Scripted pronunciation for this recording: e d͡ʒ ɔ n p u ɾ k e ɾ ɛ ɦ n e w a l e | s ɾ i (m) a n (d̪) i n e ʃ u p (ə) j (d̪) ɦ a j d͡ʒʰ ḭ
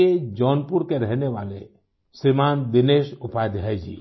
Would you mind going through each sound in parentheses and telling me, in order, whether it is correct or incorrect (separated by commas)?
correct, correct, incorrect, correct